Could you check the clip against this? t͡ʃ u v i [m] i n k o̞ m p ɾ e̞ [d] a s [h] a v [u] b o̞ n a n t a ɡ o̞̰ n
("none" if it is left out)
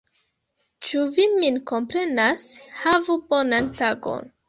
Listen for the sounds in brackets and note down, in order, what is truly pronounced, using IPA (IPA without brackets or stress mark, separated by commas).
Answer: m, n, h, u